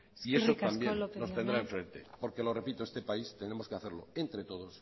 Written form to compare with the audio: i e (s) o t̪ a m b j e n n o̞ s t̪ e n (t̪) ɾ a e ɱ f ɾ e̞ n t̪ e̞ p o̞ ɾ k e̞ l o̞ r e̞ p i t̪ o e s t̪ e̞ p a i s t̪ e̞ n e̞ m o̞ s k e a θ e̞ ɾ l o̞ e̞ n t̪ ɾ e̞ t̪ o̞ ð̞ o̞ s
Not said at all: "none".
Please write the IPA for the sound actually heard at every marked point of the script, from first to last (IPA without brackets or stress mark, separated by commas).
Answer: s, d̪